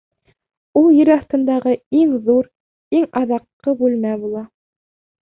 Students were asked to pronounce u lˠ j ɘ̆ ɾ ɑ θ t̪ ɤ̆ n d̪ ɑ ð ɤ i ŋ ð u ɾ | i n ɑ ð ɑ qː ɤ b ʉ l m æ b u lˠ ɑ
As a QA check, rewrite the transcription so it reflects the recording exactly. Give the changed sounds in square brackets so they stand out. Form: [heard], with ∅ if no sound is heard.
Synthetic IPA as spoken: u lˠ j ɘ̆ ɾ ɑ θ t̪ ɤ̆ n d̪ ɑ [ʁ] ɤ i ŋ ð u ɾ | i [ŋ] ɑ ð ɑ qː ɤ b ʉ l m æ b u lˠ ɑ